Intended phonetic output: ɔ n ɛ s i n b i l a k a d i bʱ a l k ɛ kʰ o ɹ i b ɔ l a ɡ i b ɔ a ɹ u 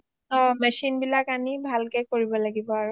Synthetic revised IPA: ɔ m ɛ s i n b i l a k a n i bʱ a l k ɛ k o ɹ i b ɔ l a ɡ i b ɔ a ɹ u